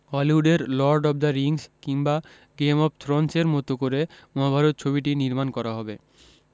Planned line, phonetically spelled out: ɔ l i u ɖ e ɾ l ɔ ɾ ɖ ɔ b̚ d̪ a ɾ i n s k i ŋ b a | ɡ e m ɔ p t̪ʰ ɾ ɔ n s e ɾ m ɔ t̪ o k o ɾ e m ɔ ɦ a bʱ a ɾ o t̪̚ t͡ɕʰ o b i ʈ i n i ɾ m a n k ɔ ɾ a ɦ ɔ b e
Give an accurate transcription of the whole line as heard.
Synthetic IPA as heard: ɔ l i u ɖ e ɾ l ɔ ɾ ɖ ɔ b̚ d̪ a ɾ i ŋ s k i ŋ b a | ɡ e m ɔ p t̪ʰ ɾ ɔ n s e ɾ m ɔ t̪ o k o ɾ e m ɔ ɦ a bʱ a ɾ o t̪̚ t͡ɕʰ o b i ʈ i n i ɾ m a n k ɔ ɾ a ɦ ɔ b e